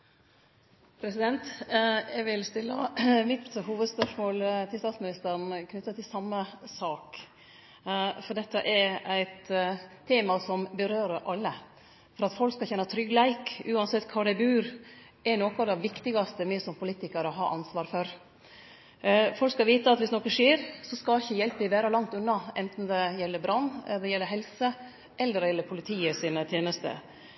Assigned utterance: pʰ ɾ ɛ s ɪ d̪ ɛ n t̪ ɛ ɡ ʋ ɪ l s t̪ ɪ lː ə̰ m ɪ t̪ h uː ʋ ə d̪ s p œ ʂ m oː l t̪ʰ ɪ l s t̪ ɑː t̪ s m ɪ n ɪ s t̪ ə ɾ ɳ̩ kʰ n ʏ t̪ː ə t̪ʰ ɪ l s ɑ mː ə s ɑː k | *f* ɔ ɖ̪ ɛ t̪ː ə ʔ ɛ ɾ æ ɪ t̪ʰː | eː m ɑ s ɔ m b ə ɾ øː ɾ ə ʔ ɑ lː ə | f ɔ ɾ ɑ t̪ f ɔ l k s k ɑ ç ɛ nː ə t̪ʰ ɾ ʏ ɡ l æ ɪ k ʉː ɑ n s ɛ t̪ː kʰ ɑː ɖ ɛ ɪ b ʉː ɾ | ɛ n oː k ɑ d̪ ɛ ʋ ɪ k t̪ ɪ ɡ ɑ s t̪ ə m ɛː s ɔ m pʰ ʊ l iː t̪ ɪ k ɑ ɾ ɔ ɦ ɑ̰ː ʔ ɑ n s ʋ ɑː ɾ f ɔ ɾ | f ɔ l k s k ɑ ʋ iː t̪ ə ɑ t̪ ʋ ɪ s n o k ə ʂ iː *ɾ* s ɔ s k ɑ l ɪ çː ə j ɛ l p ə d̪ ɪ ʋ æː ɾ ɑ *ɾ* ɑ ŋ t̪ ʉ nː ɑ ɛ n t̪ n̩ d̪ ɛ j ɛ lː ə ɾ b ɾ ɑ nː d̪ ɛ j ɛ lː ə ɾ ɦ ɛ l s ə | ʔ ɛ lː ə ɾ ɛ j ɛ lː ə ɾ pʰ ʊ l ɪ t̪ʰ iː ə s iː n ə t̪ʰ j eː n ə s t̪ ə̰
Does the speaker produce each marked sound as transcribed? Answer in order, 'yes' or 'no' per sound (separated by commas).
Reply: yes, yes, no